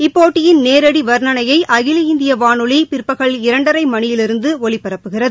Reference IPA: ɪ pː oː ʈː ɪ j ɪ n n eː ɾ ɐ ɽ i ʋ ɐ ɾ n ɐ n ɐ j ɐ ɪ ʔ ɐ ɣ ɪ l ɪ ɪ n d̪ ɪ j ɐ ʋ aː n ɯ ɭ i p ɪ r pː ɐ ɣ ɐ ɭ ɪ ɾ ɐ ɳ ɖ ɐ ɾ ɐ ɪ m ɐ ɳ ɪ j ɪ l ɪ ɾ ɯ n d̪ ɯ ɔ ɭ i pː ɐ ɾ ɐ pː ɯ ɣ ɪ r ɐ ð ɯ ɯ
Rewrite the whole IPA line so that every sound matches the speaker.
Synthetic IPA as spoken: ɪ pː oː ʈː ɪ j ɪ n n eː ɾ ɐ ɽ i ʋ ɐ ɾ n ɐ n ɐ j ɐ ɪ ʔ ɐ ɣ ɪ l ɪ ɪ n d̪ ɪ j ɐ ʋ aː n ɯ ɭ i p ɪ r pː ɐ ɣ ɐ ɭ ɪ ɾ ɐ ɳ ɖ ɐ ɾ ɐ ɪ m ɐ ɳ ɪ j ɪ l ɪ ɾ ɯ n d̪ ɯ ɔ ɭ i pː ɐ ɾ ɐ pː ɯ ɣ ɪ r ɐ ð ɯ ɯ